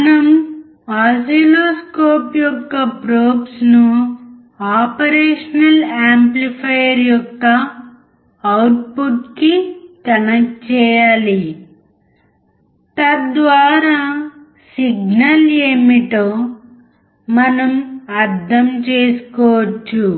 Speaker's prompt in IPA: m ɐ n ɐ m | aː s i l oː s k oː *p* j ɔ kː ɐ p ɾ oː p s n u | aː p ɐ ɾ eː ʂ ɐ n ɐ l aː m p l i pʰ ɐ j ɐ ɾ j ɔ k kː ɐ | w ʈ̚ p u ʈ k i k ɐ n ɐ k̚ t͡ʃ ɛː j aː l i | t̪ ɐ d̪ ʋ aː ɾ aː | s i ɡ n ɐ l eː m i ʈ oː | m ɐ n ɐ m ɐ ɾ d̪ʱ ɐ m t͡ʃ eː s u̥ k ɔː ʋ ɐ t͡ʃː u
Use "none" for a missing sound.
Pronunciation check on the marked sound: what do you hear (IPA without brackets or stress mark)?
p